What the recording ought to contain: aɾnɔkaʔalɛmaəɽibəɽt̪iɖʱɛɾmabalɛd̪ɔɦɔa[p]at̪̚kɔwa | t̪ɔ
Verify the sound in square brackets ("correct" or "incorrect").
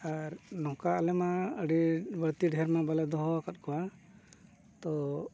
incorrect